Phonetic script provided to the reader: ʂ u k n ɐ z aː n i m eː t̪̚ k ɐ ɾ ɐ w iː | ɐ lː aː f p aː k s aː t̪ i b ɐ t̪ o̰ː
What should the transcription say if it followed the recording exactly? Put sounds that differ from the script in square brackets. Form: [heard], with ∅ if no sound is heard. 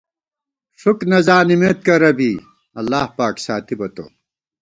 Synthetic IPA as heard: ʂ u k n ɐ z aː n i m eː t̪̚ k ɐ ɾ ɐ [b] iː | ɐ lː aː [h] p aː k s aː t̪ i b ɐ t̪ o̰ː

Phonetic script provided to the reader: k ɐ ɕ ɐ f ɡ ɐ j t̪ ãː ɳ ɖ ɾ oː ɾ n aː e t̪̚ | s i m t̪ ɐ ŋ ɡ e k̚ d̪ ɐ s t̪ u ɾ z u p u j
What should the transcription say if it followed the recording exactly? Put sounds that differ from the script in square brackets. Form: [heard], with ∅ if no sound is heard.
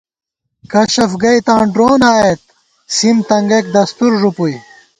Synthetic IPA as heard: k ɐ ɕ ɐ f ɡ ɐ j t̪ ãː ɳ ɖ ɾ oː [∅] n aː e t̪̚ | s i m t̪ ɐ ŋ ɡ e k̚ d̪ ɐ s t̪ u ɾ [ʐ] u p u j

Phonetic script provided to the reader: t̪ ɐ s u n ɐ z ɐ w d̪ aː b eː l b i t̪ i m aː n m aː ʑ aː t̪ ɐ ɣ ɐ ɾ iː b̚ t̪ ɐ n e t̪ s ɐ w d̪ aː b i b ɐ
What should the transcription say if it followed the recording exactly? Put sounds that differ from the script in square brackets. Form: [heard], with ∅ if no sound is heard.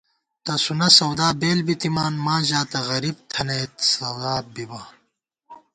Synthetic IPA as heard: t̪ ɐ s u n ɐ [s] ɐ w d̪ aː b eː l b i t̪ i m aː n m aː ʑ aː t̪ ɐ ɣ ɐ ɾ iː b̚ [t̪ʰ] ɐ n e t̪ s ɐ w d̪ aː b i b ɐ

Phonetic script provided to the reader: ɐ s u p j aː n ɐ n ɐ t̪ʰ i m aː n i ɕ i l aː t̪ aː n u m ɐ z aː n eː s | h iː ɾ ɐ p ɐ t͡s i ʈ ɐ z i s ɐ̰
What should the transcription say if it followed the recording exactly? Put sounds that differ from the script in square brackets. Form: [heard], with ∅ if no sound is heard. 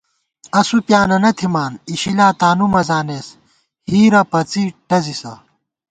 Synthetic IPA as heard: ɐ s u p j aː n ɐ n ɐ t̪ʰ i m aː n i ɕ i l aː t̪ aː n u m ɐ z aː n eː s | h iː ɾ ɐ p ɐ t͡s i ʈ ɐ z i s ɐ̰

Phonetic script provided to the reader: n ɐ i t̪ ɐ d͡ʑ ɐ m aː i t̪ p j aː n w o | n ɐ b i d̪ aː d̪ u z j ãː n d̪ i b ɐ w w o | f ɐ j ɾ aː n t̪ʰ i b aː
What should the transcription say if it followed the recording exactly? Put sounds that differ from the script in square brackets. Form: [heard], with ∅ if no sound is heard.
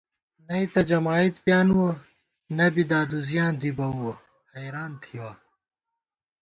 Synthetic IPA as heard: n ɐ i t̪ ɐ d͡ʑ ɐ m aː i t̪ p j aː n w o | n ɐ b i d̪ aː d̪ u z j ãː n d̪ i b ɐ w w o | [h] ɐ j ɾ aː n t̪ʰ i [w] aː

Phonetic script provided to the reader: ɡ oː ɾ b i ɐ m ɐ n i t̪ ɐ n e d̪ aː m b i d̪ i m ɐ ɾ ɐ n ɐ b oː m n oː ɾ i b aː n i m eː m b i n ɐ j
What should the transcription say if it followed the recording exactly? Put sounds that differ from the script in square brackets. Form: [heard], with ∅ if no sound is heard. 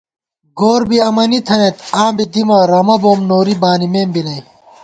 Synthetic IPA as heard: ɡ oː ɾ b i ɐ m ɐ n i [t̪ʰ] ɐ n e [t̪] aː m b i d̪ i m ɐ ɾ ɐ [m] ɐ b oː m n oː ɾ i b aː n i m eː m b i n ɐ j

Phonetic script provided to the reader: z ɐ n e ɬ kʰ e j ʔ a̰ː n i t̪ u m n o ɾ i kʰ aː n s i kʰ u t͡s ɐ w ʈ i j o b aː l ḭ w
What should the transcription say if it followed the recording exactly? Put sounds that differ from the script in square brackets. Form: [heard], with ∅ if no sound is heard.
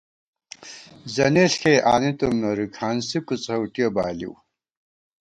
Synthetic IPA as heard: z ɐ n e ɬ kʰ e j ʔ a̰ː n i t̪ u m n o ɾ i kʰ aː n s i [k] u t͡s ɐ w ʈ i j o b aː l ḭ w

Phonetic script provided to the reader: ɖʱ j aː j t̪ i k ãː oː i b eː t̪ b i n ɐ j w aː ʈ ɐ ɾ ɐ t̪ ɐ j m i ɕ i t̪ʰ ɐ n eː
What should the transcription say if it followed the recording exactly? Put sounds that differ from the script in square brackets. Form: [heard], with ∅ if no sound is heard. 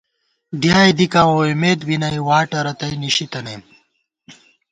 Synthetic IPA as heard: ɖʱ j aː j [d̪] i k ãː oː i [m] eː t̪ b i n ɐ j w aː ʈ ɐ ɾ ɐ t̪ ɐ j [n] i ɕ i [t̪] ɐ n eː

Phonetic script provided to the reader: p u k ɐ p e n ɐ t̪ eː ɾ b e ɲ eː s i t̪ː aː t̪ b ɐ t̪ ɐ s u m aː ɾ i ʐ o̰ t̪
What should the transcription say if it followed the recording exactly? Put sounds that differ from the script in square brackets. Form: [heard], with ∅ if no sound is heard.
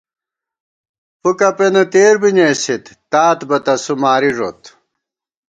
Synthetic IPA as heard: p u k ɐ p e n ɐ t̪ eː ɾ b [i] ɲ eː s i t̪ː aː t̪ b ɐ t̪ ɐ s u m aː ɾ i ʐ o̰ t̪

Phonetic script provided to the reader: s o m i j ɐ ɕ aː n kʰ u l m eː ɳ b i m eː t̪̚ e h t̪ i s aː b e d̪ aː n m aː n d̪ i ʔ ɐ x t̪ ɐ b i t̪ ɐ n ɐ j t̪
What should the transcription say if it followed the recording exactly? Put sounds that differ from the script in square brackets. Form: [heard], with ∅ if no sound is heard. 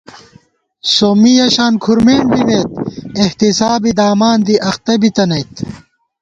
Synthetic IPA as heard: s o m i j ɐ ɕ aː n kʰ u [ɾ] m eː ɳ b i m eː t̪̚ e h t̪ i s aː b [i] d̪ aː [∅] m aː n d̪ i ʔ ɐ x t̪ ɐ b i t̪ ɐ n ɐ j t̪

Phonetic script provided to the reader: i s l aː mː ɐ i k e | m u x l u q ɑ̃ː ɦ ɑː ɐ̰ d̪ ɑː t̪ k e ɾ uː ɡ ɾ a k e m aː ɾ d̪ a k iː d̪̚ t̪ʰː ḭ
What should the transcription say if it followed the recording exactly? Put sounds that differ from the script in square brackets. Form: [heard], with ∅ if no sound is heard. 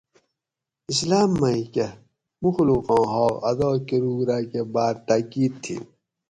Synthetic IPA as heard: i s l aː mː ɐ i k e | m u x l u q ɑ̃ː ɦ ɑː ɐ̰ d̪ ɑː [∅] k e ɾ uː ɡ ɾ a k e [b] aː ɾ [t̪] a k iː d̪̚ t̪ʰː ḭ

